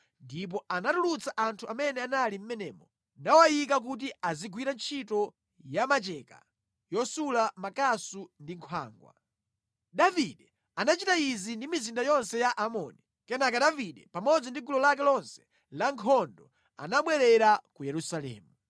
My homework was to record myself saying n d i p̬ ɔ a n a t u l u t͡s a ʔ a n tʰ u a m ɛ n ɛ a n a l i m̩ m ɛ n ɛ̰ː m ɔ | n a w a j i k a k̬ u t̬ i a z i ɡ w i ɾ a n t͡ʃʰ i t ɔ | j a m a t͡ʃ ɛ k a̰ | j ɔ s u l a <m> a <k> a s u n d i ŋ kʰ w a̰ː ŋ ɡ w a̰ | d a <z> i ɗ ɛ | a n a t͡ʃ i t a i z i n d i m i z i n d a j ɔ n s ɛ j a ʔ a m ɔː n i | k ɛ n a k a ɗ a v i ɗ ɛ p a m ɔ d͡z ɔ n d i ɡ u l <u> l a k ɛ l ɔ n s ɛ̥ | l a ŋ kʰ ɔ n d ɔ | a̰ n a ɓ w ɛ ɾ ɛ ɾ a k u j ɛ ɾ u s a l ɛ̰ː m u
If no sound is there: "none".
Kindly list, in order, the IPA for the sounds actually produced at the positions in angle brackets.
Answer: m, k, v, ɔ

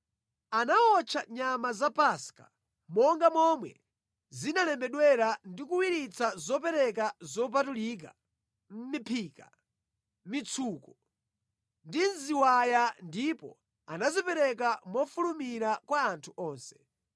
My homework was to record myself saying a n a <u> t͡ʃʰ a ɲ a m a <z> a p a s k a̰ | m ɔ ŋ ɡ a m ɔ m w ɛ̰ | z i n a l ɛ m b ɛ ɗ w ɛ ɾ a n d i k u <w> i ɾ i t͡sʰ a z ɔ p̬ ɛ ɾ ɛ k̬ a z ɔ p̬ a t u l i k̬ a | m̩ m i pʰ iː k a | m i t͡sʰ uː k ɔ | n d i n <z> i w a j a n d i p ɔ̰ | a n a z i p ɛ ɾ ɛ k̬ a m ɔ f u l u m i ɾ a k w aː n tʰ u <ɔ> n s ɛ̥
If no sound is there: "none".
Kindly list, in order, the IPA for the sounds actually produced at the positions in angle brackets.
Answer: ɔ, z, w, z, ɔː

